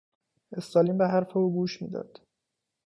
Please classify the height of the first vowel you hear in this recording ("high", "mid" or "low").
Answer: mid